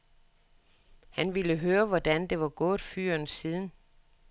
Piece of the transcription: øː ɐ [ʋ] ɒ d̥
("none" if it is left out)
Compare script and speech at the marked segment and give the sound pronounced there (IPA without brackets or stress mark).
ʋ